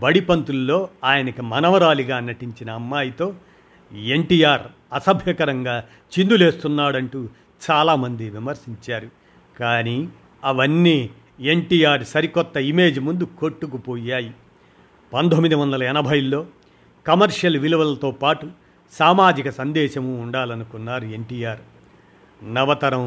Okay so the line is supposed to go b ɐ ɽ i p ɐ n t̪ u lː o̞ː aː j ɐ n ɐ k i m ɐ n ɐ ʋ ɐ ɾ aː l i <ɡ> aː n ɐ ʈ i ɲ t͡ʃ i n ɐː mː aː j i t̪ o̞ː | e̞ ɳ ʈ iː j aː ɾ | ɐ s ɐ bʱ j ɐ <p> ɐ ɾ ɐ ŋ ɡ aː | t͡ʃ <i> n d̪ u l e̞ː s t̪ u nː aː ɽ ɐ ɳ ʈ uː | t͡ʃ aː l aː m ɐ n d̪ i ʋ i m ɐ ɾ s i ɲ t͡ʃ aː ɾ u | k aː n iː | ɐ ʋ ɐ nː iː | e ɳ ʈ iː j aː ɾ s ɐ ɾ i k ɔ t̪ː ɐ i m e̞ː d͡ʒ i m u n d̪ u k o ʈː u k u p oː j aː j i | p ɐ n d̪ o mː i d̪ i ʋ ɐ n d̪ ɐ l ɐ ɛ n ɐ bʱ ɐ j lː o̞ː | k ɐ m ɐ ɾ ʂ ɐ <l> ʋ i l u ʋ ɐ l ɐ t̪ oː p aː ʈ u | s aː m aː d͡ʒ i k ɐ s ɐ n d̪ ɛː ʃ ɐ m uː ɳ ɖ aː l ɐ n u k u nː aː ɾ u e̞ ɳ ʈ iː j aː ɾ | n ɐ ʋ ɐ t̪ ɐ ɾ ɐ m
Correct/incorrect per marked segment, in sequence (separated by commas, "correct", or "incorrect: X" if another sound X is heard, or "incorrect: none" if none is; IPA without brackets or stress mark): correct, incorrect: k, correct, correct